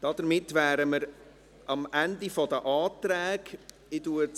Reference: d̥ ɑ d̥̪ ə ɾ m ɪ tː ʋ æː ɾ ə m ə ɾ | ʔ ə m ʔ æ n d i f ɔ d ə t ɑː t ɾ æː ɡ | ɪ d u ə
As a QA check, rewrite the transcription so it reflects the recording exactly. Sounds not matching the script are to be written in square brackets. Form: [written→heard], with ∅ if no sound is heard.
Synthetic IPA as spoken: d̥ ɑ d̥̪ ə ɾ m ɪ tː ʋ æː ɾ ə m ə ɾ | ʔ [ə→ɑ] m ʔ æ n d i f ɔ d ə [t→ʔ] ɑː t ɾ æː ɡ | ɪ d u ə